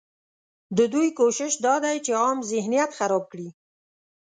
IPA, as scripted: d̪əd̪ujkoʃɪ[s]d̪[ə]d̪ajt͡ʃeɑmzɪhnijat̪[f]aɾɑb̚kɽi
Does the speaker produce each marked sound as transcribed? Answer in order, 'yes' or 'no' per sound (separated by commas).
no, no, no